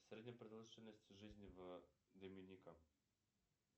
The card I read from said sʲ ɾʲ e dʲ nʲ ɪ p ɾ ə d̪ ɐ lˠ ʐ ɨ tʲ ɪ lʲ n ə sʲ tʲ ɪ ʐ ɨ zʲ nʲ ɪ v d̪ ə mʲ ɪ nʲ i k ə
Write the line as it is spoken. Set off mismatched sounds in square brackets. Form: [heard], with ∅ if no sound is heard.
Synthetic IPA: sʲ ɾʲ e dʲ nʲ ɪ p ɾ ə d̪ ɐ lˠ ʐ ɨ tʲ ɪ lʲ n ə sʲ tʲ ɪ ʐ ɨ zʲ nʲ ɪ v d̪ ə mʲ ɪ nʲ i k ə